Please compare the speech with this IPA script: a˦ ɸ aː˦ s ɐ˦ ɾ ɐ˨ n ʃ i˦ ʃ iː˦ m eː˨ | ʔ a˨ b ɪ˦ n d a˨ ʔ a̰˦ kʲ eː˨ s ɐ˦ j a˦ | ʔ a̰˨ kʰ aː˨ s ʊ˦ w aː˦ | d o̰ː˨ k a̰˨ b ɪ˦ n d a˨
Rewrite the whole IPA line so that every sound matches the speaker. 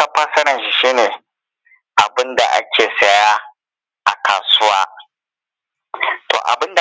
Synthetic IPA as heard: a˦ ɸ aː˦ s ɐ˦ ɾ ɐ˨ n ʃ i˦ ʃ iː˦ n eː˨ | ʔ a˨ b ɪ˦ n d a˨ ʔ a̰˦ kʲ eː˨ s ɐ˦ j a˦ | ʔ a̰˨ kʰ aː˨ s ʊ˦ w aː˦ | t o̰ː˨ ʔ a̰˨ b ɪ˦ n d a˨